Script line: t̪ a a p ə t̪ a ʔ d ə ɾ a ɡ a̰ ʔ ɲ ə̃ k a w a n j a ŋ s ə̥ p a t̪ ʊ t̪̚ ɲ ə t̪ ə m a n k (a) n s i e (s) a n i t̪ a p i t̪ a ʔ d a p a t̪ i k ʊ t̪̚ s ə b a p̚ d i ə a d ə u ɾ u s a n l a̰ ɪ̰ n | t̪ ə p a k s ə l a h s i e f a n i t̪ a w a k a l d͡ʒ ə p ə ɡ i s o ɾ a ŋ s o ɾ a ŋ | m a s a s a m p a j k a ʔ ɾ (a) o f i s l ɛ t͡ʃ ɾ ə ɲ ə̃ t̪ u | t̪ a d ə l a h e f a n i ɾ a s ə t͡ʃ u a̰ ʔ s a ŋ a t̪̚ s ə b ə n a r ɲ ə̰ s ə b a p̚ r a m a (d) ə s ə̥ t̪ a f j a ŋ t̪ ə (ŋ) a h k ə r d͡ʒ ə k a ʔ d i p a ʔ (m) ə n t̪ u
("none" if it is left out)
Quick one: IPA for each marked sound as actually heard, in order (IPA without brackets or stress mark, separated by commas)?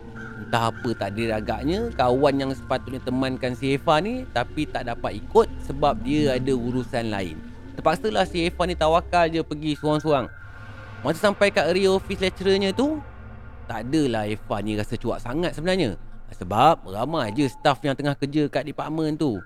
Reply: a, f, i, d͡ʒ, ŋ, m